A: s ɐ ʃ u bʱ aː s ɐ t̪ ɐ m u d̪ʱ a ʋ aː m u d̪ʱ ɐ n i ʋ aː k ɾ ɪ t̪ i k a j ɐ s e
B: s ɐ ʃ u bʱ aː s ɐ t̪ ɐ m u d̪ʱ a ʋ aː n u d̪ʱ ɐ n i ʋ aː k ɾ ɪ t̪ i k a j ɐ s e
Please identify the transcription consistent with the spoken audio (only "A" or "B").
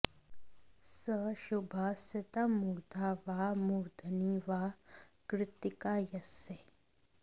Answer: A